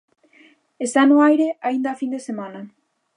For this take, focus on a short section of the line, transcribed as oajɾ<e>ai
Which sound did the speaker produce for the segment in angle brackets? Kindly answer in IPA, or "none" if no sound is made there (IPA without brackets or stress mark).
e